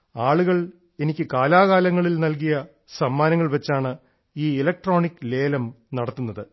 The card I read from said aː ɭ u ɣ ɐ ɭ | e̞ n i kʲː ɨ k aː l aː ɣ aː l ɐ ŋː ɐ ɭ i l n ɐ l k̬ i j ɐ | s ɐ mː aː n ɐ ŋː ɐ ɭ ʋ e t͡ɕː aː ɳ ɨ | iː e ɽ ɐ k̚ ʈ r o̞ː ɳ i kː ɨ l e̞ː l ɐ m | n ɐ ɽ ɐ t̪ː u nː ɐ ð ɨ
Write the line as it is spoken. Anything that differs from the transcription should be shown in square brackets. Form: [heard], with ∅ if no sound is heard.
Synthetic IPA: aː ɭ u ɣ ɐ ɭ | e̞ n i kʲː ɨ k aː l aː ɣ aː l ɐ ŋː ɐ ɭ i l n ɐ l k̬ i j ɐ | s ɐ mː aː n ɐ ŋː ɐ ɭ ʋ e t͡ɕː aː ɳ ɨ | iː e [l] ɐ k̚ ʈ r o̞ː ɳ i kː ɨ l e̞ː l ɐ m | n ɐ ɽ ɐ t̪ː u nː ɐ ð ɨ